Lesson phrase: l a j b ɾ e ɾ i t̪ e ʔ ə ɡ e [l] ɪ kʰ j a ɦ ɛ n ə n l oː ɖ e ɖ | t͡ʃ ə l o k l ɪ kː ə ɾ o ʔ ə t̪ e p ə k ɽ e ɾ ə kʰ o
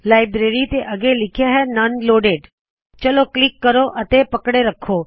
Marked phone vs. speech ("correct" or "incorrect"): correct